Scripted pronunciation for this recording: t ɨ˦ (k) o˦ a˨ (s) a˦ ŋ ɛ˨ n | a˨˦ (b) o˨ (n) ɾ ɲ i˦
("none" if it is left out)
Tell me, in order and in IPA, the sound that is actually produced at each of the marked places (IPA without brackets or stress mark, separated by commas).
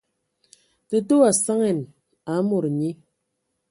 t, s, m, none